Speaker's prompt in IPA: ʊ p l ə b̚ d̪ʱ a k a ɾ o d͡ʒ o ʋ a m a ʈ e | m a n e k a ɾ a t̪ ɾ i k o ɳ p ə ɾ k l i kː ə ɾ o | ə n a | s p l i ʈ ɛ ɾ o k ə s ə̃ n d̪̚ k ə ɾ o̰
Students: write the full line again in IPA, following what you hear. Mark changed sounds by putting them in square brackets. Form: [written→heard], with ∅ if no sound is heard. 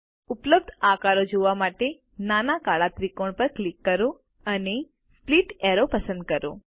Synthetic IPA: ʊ p l ə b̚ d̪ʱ a k a ɾ o d͡ʒ o ʋ a m a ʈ e | [m→n] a n [e→a] k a [ɾ→ɭ] a t̪ ɾ i k o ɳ p ə ɾ k l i kː ə ɾ o | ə n [a→e] | s p l i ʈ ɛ ɾ o [k→p] ə s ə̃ n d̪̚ k ə ɾ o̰

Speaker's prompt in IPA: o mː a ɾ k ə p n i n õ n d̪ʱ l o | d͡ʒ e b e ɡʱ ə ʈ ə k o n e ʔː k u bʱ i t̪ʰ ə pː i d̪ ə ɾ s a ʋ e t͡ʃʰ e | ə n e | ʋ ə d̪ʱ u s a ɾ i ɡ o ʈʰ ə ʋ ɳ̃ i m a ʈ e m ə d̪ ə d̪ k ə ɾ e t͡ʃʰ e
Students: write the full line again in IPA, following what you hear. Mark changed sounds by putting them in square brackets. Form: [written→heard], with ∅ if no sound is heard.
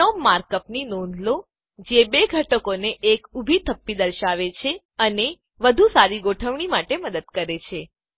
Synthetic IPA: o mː a ɾ k ə p n i n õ n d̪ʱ l o | d͡ʒ e b e ɡʱ ə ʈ ə k o n e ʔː k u bʱ i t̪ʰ ə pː i d̪ ə ɾ [s→ʃ] a ʋ e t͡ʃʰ e | ə n e | ʋ ə d̪ʱ u s a ɾ i ɡ o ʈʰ ə ʋ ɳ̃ i m a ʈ e m ə d̪ ə d̪ k ə ɾ e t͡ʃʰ e

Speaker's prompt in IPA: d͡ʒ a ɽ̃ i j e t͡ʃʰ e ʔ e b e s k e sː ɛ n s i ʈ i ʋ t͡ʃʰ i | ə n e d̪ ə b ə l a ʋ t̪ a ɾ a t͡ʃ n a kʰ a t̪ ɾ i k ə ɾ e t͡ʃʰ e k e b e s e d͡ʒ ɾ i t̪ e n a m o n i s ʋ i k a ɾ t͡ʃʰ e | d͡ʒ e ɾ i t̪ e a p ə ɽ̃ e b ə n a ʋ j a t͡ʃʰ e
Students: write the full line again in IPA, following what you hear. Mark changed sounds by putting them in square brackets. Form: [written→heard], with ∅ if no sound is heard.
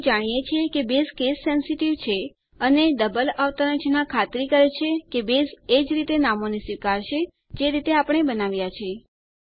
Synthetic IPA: d͡ʒ a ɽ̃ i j e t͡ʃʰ e [ʔ→k] e b e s k e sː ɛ n s i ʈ i ʋ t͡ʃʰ [i→e] | ə n e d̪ ə b ə l a ʋ t̪ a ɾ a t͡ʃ n a kʰ a t̪ ɾ i k ə ɾ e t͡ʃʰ e k e b e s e d͡ʒ ɾ i t̪ e n a m o n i s ʋ i k a ɾ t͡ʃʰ e | d͡ʒ e ɾ i t̪ e a p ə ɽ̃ e b ə n a ʋ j a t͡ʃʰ e

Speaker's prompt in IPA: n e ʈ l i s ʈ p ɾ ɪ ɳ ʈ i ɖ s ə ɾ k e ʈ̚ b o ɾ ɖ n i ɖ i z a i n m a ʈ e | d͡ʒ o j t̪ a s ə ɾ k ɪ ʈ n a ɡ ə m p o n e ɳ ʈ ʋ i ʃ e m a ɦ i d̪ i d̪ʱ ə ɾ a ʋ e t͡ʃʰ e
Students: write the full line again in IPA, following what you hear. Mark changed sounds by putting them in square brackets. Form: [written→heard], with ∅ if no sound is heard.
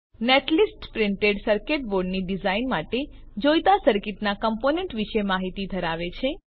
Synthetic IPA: n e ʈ l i s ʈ p ɾ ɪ ɳ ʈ [i→e] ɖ s ə ɾ k e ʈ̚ b o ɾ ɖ n i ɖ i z a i n m a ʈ e | d͡ʒ o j t̪ a s ə ɾ k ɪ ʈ n a [ɡ→k] ə m p o n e ɳ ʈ ʋ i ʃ e m a ɦ i [d̪→t̪] i d̪ʱ ə ɾ a ʋ e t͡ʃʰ e

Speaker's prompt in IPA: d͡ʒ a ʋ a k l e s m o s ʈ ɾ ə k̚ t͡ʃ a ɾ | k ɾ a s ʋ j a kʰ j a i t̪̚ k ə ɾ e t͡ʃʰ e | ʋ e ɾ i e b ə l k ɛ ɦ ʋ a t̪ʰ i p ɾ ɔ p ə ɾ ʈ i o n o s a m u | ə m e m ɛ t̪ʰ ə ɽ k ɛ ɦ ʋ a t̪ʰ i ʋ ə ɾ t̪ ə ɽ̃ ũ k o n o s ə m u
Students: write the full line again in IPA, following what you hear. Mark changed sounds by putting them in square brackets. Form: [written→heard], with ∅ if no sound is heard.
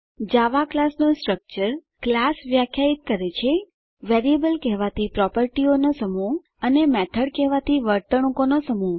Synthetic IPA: d͡ʒ a ʋ a k l [e→a] s [m→n] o s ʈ ɾ ə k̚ t͡ʃ [a→ə] ɾ | k [ɾ→l] a s ʋ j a kʰ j a i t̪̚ k ə ɾ e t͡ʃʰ e | ʋ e ɾ i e b ə l k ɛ ɦ ʋ a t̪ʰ i p ɾ ɔ p ə ɾ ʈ i o n o s [a→ə] m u | ə [m→n] e m ɛ t̪ʰ ə ɽ k ɛ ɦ ʋ a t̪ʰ i ʋ ə ɾ t̪ ə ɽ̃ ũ k o n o s ə m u

